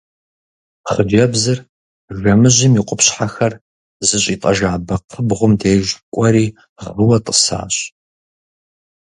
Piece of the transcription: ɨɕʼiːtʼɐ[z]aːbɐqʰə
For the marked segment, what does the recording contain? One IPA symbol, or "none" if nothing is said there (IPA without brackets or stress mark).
ʒ